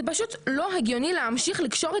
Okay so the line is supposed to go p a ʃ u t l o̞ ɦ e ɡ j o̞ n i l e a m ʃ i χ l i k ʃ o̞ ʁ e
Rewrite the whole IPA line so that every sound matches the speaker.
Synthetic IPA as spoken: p a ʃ u t l o̞ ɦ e ɡ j o̞ n i l e a m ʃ i χ l i k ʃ o̞ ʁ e

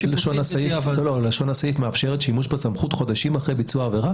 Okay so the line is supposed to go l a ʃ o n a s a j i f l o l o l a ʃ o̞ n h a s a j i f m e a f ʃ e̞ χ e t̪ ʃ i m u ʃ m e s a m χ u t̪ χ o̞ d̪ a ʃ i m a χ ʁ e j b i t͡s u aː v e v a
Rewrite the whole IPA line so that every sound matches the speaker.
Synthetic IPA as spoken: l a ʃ o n a s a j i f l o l o l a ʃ o̞ n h a s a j i f m e a f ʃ e̞ ʁ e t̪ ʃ i m u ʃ b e s a m χ u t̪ χ o̞ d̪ a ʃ i m a χ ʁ e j b i t͡s u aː v e ʁ a

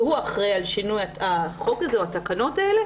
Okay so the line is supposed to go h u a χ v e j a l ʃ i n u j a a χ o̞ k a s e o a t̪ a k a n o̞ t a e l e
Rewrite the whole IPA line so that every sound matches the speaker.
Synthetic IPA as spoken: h u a χ ʁ e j a l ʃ i n u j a a χ o̞ k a z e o a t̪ a k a n o̞ t a e l e

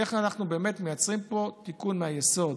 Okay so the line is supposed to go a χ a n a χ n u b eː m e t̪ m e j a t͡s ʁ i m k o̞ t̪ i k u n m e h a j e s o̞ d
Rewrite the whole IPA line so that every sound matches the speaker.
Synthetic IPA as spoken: e χ a n a χ n u b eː m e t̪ m e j a t͡s ʁ i m p o̞ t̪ i k u n m e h a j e s o̞ d

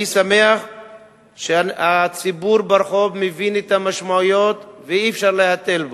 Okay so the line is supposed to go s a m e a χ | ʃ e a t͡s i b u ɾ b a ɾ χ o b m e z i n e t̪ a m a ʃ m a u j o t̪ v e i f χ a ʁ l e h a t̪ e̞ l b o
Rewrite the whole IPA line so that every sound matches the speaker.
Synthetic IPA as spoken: s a m e a χ | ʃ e a t͡s i b u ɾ b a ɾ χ o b m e v i n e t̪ a m a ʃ m a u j o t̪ v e i f ʃ a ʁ l e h a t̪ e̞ l b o

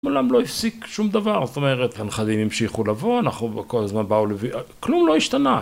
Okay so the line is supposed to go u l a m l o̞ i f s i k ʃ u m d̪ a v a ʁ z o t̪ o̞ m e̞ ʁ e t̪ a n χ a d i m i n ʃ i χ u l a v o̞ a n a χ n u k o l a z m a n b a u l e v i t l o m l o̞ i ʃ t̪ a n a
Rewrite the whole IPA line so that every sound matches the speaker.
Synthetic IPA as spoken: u l a m l o̞ i f s i k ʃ u m d̪ a v a ʁ z o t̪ o̞ m e̞ ʁ e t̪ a n χ a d i m i m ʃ i χ u l a v o̞ a n a χ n u k o l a z m a n b a u l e v i k l u m l o̞ i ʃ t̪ a n a

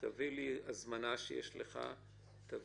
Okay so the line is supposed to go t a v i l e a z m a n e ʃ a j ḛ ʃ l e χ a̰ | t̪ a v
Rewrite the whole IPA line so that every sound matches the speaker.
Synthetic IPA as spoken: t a v i l i a z m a n a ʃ e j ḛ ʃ l e χ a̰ | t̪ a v

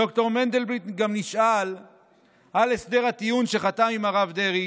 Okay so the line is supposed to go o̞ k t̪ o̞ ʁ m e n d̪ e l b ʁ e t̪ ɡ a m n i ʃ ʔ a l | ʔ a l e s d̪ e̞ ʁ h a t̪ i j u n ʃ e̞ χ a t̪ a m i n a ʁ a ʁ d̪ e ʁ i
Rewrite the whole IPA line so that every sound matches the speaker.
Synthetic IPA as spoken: o̞ k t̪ o̞ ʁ m e n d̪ e l b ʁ i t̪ ɡ a m n i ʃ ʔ a l | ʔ a l e s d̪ e̞ ʁ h a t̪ i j u n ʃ e̞ χ a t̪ a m i m a ʁ a v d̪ e ʁ i

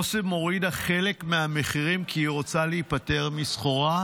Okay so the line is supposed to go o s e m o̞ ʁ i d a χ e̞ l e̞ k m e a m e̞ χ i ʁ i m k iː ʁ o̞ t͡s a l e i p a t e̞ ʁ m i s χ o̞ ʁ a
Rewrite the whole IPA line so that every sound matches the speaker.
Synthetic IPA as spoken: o s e m o̞ ʁ i d a χ e̞ l e̞ k m e a m e̞ χ i ʁ i m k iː ʁ o̞ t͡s a l e i p a t e̞ ʁ m i s χ o̞ ʁ a

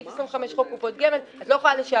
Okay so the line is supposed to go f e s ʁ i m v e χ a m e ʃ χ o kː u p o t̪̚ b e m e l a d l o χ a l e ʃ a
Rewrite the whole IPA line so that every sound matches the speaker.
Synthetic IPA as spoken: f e s ʁ i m v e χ a m e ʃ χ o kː u p o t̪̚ ɡ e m e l a t l o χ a l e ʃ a

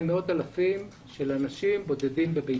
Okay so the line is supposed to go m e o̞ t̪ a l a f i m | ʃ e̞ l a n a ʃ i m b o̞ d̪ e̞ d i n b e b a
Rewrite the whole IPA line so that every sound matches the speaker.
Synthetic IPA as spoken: m e o̞ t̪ a l a f i m | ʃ e̞ l a n a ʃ i m b o̞ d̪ e̞ d i m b e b e

